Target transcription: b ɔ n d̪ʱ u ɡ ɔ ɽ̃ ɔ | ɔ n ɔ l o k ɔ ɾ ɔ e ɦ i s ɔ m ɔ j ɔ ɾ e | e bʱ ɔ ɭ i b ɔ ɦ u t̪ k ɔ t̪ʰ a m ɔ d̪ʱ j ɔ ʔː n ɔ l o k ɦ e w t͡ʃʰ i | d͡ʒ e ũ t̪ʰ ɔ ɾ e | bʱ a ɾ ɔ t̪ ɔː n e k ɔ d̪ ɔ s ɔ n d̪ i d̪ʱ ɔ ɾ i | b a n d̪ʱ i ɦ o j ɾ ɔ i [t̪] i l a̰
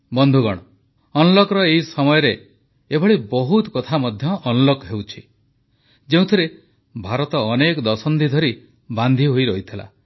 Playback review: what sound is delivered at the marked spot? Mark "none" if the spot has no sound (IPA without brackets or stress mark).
t̪ʰ